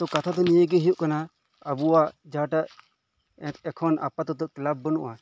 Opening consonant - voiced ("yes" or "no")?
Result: no